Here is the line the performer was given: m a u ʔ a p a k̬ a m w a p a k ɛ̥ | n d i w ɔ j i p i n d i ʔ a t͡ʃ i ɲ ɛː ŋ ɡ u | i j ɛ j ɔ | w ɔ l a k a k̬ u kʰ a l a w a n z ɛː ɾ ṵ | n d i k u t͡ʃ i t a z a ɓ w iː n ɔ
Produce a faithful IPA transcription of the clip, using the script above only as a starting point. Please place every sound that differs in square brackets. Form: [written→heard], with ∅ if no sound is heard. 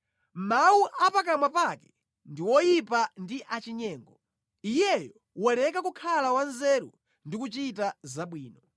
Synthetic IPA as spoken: m a u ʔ a p a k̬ a m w a p a k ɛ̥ | n d i w ɔ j i p [i→a] n d i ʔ a t͡ʃ i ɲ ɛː ŋ ɡ [u→ɔ] | i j ɛ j ɔ | w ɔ l [a→ɛ] k a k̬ u kʰ a l a w a n z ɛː ɾ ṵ | n d i k u t͡ʃ i t a z a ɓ w iː n ɔ